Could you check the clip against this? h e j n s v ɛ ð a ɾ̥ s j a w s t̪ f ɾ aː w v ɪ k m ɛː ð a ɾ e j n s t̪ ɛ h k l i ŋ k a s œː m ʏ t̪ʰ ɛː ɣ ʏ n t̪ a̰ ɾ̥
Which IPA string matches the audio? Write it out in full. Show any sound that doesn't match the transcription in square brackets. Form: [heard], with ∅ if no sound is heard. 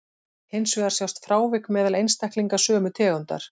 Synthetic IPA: h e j n s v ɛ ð a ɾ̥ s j a w s t̪ f ɾ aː w v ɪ k m ɛː ð a [l] e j n s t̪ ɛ h k l i ŋ k a s œː m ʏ t̪ʰ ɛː ɣ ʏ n t̪ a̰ ɾ̥

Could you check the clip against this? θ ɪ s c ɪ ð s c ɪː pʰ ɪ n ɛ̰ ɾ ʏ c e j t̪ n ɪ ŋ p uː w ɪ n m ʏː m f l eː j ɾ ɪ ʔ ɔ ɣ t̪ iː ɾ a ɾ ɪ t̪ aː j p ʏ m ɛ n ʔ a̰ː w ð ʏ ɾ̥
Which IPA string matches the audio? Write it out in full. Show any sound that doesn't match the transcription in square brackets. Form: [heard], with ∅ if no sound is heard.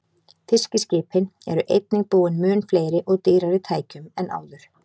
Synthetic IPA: θ ɪ s c ɪ [∅] s c ɪː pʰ ɪ n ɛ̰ ɾ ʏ [ʔ] e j t̪ n ɪ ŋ p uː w ɪ n m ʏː [n] f l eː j ɾ ɪ ʔ ɔ ɣ t̪ iː ɾ a ɾ ɪ [t̪ʰ] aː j [c] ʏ m ɛ n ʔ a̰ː w ð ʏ ɾ̥

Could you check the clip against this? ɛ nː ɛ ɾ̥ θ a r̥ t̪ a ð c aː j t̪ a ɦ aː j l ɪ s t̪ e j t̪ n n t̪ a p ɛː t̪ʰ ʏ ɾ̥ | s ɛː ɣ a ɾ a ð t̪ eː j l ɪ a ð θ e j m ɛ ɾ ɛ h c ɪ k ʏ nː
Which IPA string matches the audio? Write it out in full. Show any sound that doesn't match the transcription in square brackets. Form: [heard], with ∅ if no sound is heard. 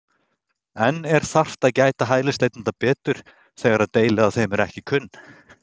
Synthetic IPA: ɛ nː ɛ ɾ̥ θ a r̥ t̪ a ð c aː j t̪ a ɦ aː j l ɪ s t̪ e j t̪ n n t̪ a p ɛː [t̪] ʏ ɾ̥ | [θ] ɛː ɣ a ɾ a ð t̪ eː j l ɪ a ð θ e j m ɛ ɾ ɛ h c ɪ [kʰ] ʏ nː

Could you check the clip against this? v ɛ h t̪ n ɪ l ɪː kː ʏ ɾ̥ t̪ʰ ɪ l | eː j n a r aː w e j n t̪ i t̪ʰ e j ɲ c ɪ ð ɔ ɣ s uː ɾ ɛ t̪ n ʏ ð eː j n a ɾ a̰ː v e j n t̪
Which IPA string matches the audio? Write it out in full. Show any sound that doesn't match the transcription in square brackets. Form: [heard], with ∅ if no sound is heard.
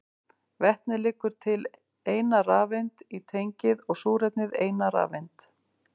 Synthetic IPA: v ɛ h t̪ n ɪ l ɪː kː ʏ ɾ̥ t̪ʰ ɪ l | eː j n a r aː [v] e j n t̪ i t̪ʰ e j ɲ c ɪ ð ɔ ɣ s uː ɾ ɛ t̪ n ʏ ð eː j n a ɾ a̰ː v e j n t̪

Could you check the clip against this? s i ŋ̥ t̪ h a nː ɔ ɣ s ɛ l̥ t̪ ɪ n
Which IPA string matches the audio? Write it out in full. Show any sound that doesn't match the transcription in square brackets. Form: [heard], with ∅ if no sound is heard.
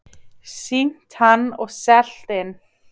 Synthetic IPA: s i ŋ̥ t̪ h a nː ɔ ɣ s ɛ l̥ t̪ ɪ n

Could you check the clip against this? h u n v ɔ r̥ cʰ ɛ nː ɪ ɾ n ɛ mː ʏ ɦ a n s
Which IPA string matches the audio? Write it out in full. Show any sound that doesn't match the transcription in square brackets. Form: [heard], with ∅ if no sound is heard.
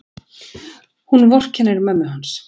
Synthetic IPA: h u n v ɔ r̥ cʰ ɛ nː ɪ ɾ [m] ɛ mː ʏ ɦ a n s

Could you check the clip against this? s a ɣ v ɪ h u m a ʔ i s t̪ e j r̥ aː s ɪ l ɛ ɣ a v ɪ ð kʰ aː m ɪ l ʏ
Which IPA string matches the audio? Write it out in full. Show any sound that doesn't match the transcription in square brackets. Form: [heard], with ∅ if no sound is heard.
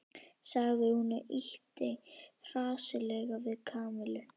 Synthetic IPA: s a ɣ [ð] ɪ h u [n] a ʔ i [h] t̪ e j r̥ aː s ɪ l ɛ ɣ a v ɪ ð kʰ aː m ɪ l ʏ

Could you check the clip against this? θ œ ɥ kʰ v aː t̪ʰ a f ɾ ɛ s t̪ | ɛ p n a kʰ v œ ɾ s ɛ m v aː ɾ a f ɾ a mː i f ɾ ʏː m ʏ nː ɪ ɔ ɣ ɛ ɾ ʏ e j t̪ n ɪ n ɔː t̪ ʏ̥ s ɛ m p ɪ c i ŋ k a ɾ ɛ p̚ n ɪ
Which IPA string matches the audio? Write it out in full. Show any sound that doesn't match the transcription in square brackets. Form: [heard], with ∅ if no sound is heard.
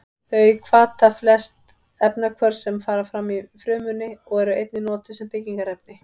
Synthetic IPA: θ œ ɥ kʰ v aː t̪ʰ a f [l] ɛ s t̪ | ɛ p n a kʰ v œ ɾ s ɛ m [f] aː ɾ a f ɾ a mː i f ɾ ʏː m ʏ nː ɪ ɔ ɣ ɛ ɾ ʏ e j t̪ n ɪ n ɔː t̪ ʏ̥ s ɛ m p ɪ c i ŋ k a ɾ ɛ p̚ n ɪ

